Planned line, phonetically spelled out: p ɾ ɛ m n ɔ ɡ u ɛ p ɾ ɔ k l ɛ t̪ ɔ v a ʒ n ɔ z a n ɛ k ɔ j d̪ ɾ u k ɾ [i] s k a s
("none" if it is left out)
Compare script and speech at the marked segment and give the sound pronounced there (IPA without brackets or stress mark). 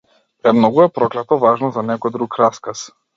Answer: a